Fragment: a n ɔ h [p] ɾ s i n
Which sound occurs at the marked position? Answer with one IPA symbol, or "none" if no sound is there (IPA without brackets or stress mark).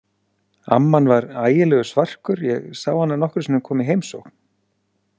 k